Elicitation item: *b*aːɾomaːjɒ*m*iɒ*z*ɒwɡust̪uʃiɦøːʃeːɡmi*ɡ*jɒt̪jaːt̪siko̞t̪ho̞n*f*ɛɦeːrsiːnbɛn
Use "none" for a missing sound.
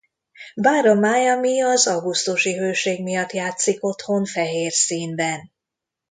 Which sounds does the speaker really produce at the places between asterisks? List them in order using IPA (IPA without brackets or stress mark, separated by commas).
b, m, z, none, f